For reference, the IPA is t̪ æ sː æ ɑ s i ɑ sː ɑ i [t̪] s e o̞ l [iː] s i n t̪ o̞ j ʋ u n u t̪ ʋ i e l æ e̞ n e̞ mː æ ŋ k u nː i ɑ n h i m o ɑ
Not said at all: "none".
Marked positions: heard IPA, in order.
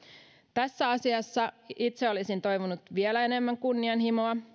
t̪, i

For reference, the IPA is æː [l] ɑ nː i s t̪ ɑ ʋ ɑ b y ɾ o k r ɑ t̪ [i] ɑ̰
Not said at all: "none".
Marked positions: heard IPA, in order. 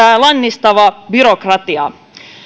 l, i

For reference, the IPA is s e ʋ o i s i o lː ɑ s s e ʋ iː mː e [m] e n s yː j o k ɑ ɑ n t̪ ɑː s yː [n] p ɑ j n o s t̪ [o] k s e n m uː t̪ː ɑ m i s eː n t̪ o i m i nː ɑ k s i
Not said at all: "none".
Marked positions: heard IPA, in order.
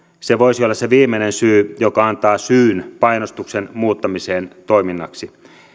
n, n, u

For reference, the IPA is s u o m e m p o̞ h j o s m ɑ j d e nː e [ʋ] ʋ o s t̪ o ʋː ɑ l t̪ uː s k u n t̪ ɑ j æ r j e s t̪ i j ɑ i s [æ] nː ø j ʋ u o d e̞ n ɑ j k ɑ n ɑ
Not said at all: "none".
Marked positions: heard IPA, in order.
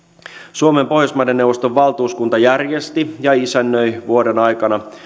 w, æ

